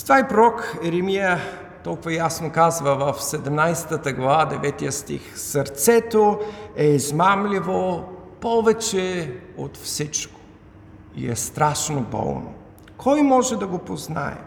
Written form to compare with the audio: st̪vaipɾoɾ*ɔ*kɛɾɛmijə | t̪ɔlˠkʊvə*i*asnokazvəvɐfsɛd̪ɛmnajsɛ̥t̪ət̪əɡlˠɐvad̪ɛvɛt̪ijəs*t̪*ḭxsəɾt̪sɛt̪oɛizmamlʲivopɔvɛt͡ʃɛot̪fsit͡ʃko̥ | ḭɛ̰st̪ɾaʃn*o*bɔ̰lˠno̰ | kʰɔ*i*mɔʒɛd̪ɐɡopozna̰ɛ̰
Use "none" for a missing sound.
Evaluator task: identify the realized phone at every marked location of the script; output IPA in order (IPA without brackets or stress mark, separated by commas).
ɔ, j, t̪, o, j